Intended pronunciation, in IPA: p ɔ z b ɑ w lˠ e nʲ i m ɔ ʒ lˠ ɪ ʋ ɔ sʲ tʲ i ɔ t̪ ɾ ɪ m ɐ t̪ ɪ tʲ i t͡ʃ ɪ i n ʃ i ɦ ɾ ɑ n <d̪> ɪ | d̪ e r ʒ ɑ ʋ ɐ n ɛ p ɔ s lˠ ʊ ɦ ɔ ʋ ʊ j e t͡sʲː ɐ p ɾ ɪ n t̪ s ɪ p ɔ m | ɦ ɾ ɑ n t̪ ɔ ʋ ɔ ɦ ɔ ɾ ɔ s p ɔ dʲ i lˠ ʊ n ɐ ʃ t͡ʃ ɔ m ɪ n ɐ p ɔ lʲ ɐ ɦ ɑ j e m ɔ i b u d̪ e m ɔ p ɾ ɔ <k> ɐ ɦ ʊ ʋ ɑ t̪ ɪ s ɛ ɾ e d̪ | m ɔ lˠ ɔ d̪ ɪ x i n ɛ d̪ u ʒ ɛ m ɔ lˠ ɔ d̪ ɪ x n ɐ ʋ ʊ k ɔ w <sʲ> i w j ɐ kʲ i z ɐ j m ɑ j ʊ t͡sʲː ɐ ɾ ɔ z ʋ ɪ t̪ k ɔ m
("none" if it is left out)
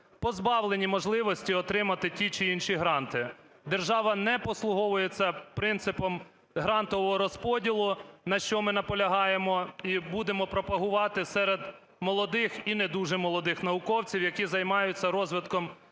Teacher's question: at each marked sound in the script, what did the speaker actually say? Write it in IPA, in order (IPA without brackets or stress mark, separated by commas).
t̪, p, t͡sʲ